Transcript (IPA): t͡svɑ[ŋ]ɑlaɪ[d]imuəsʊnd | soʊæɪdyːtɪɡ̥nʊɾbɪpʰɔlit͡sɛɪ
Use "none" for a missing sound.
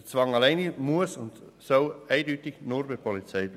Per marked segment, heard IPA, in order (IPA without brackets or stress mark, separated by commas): ŋ, n